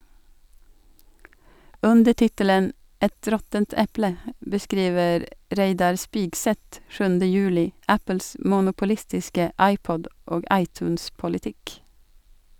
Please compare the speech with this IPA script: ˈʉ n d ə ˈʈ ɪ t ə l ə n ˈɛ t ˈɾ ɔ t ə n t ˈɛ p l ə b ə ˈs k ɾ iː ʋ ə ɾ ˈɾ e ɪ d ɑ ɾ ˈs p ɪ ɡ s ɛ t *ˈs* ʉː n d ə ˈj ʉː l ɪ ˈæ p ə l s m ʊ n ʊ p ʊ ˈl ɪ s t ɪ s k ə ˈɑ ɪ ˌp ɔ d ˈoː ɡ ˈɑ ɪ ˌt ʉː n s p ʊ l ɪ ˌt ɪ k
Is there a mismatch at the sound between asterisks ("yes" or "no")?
yes